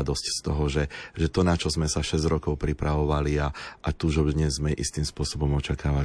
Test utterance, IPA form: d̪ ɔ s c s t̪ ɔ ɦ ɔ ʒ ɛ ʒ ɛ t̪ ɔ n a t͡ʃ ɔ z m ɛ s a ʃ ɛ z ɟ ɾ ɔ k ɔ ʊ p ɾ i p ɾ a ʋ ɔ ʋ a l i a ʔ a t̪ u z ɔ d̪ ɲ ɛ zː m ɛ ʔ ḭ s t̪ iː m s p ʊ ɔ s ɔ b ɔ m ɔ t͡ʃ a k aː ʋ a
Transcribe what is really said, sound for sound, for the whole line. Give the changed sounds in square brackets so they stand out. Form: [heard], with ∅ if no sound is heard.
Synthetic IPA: d̪ ɔ s c s t̪ ɔ ɦ ɔ ʒ ɛ ʒ ɛ t̪ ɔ n a t͡ʃ ɔ z m ɛ s a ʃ ɛ z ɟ ɾ ɔ k ɔ ʊ p ɾ i p ɾ a ʋ ɔ ʋ a l i a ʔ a t̪ u [ʒ] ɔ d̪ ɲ ɛ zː m ɛ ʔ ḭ s t̪ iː m s p ʊ ɔ s ɔ b ɔ m ɔ t͡ʃ a k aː ʋ a